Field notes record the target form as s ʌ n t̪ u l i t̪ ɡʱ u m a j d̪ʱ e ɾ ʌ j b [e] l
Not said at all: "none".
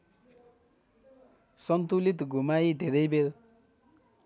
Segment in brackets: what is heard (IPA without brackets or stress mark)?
e